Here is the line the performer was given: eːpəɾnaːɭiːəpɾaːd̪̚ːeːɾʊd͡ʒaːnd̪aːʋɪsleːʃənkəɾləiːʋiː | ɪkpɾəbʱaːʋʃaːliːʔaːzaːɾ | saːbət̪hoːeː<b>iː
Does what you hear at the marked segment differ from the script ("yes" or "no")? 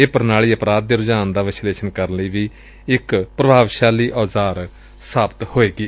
yes